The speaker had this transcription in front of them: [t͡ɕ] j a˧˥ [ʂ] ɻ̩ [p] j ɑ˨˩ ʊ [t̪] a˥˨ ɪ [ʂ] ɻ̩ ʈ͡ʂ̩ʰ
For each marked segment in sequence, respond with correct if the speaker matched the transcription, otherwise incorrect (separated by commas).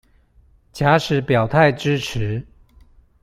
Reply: correct, correct, correct, incorrect, incorrect